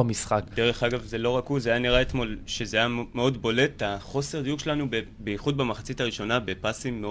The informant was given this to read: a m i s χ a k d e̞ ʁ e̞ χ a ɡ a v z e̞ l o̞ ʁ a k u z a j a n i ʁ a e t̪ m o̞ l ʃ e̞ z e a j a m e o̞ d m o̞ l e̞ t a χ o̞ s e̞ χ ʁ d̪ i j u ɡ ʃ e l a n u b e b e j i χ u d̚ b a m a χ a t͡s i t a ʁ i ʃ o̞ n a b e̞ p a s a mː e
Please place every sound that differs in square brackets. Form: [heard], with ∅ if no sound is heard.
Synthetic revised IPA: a m i s χ a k d e̞ ʁ e̞ χ a ɡ a v z e̞ l o̞ ʁ a k u z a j a n i ʁ a e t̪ m o̞ l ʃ e̞ z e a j a m e o̞ d [b] o̞ l e̞ t a χ o̞ s e̞ [∅] ʁ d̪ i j u ɡ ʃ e l a n u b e b e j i χ u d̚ b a m a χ a t͡s i t a ʁ i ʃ o̞ n a b e̞ p a s [i] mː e